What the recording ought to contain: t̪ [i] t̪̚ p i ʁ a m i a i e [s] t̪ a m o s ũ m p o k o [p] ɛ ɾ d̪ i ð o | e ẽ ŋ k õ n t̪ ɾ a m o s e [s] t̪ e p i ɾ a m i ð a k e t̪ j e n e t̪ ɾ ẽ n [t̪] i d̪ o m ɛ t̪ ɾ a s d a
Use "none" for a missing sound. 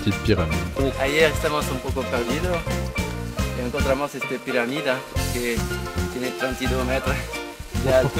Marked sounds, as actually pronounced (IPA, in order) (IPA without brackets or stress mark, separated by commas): i, s, p, s, t̪